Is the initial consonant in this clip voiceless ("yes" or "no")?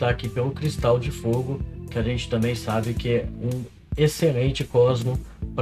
yes